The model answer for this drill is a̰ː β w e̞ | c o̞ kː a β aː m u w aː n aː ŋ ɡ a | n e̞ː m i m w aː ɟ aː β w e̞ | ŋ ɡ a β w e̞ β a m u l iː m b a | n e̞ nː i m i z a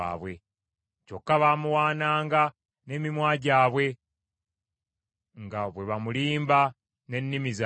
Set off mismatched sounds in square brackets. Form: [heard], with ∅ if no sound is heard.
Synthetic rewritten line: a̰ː β w e̞ | c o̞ kː a β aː m u w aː n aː ŋ ɡ a | n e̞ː m i m w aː ɟ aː β w e̞ | ŋ ɡ a β w e̞ β a m u l iː m b a | n e̞ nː i m i z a